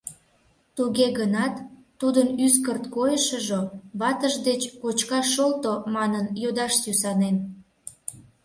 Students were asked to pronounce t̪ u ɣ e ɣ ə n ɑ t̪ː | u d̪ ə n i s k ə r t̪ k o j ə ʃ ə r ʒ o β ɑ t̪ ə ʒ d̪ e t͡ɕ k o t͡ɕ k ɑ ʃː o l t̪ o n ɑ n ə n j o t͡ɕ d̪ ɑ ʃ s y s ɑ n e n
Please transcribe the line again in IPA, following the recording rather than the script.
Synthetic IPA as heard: t̪ u ɣ e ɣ ə n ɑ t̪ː | u d̪ ə n y s k ə r t̪ k o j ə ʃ ə ʒ o β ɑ t̪ ə ʒ d̪ e t͡ɕ k o t͡ɕ k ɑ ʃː o l t̪ o m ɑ n ə n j o d̪ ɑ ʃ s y s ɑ n e n